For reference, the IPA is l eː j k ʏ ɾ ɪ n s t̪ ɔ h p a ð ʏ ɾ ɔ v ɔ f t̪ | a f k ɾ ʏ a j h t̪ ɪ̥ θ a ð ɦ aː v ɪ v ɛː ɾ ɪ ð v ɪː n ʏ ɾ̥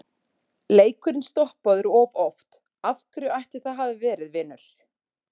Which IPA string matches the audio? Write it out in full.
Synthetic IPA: l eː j k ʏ ɾ ɪ n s t̪ ɔ h p a ð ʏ ɾ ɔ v ɔ f t̪ | a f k ɾ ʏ a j h t̪ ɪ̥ θ a ð ɦ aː v ɪ v ɛː ɾ ɪ ð v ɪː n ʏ ɾ̥

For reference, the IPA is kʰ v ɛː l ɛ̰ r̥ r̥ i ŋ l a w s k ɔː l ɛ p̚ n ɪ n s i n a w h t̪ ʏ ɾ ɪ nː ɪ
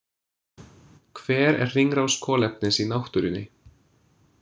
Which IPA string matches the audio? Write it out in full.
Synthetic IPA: kʰ v ɛː ɾ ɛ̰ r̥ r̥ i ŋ ɾ a w s kʰ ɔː l ɛ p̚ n ɪ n s i n a w h t̪ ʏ ɾ ɪ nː ɪ

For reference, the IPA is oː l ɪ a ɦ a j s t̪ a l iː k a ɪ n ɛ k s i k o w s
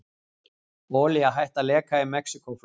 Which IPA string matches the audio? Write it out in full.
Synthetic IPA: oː l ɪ a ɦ a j h t̪ a l ɛː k a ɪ m ɛ k s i k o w f

